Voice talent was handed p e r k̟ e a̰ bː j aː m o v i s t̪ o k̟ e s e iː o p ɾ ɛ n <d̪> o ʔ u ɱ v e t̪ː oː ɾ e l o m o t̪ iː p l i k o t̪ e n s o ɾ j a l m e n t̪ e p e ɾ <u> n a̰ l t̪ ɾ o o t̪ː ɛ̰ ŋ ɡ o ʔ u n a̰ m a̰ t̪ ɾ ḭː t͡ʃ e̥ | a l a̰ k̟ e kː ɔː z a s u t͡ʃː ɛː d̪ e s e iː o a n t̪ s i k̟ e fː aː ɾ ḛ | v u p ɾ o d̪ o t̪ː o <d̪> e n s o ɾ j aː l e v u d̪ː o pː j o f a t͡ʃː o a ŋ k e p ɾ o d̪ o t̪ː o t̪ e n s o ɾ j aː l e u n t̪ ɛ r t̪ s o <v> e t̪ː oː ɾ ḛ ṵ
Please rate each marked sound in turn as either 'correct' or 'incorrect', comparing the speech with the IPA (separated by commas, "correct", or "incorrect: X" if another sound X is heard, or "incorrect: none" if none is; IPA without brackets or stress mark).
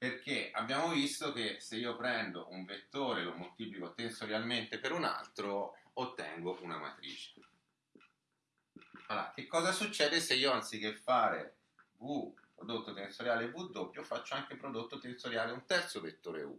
correct, correct, incorrect: t̪, correct